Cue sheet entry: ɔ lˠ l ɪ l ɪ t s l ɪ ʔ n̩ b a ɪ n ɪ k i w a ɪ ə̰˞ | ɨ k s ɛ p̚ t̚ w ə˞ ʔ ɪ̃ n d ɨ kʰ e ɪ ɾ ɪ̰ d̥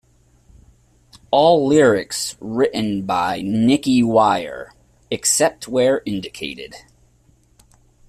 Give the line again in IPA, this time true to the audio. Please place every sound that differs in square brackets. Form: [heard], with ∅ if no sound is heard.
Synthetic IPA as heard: ɔ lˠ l ɪ [ɹ] ɪ [k] s [ɹ] ɪ ʔ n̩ b a ɪ n ɪ k i w a ɪ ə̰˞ | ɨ k s ɛ p̚ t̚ w ə˞ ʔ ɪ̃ n d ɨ kʰ e ɪ ɾ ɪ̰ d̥